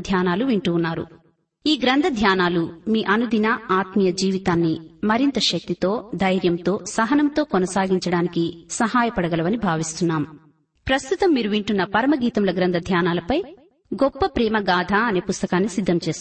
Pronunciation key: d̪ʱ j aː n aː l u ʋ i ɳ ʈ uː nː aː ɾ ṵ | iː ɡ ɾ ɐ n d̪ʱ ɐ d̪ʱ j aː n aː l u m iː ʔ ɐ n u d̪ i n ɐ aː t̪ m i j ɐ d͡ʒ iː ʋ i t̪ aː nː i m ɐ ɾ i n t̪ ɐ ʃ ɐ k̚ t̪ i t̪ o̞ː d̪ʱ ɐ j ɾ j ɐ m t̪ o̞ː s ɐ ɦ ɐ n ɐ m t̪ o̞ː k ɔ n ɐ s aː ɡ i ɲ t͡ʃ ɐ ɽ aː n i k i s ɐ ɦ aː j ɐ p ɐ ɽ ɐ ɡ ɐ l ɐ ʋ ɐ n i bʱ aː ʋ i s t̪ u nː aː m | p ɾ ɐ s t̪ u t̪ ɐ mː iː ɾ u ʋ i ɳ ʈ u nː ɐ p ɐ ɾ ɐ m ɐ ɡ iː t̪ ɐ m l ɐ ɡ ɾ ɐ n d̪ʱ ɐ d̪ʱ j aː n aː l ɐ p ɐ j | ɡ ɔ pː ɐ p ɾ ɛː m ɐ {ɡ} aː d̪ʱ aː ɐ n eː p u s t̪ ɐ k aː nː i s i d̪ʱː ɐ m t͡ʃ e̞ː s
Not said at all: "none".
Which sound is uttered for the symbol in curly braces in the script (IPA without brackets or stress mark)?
ɡ